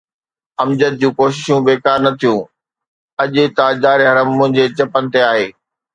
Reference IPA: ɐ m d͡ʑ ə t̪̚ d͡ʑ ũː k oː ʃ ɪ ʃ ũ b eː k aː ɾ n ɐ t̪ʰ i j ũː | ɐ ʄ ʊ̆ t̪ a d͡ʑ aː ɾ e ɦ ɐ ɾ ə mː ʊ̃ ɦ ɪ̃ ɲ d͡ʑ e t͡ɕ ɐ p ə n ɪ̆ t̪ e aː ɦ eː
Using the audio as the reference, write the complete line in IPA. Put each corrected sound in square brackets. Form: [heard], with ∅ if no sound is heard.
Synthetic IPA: ɐ m d͡ʑ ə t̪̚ d͡ʑ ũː k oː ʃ ɪ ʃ ũ b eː k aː ɾ n ɐ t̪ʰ i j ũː | ɐ ʄ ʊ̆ t̪ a d͡ʑ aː ɾ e ɦ ɐ ɾ ə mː ʊ̃ ɦ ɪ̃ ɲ d͡ʑ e t͡ɕ ɐ p ə n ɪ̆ t̪ e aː ɦ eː